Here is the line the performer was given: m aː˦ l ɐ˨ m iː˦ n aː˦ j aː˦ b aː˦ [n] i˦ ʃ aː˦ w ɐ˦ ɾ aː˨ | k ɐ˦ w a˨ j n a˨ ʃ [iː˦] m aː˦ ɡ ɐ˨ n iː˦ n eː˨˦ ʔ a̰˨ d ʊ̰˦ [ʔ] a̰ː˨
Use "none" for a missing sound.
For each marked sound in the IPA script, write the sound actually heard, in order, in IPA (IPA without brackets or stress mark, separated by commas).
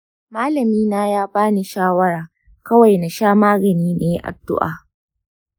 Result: n, aː˦, ʔ